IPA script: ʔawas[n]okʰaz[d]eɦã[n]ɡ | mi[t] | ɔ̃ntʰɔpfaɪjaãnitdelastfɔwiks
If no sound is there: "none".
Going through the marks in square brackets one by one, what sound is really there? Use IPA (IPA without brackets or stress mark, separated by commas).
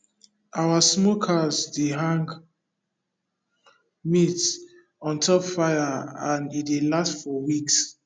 m, d, ŋ, t